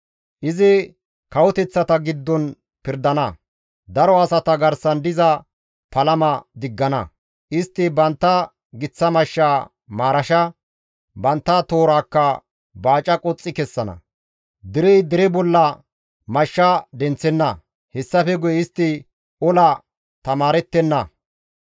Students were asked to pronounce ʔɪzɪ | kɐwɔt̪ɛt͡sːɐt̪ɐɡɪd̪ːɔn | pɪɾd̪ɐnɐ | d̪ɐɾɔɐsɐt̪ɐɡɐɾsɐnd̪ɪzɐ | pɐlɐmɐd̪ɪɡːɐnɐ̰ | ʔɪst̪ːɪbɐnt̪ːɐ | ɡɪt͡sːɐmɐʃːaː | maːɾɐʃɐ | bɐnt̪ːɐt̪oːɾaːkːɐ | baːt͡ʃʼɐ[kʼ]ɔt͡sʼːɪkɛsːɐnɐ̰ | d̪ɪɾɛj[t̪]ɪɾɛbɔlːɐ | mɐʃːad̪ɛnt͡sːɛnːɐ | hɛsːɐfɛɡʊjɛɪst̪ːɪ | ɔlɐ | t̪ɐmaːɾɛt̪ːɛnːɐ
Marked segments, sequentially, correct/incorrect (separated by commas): correct, incorrect